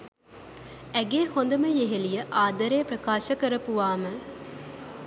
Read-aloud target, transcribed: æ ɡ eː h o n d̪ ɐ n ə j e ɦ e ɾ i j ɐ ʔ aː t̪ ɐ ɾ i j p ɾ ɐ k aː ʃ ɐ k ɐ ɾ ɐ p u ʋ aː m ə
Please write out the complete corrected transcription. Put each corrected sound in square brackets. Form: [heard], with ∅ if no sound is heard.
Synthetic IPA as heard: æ ɡ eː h o n d̪ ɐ [m] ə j e ɦ e [l] i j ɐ ʔ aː [d̪] ɐ ɾ [e] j p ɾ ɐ k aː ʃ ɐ k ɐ ɾ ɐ p u ʋ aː m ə